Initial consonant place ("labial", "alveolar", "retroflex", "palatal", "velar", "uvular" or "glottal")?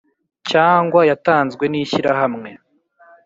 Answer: palatal